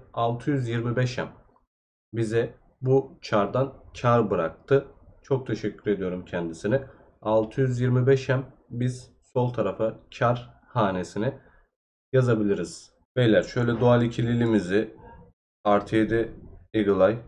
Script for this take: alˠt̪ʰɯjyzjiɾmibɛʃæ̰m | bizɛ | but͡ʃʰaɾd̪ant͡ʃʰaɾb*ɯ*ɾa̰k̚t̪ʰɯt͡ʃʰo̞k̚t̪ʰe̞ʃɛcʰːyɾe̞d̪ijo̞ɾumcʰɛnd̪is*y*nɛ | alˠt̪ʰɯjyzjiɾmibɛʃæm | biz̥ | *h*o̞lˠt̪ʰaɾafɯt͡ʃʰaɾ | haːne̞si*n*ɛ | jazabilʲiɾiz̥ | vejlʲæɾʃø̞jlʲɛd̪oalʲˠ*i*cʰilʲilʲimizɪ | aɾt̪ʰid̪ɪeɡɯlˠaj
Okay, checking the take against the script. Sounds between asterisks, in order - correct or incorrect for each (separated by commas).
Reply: correct, incorrect, incorrect, correct, correct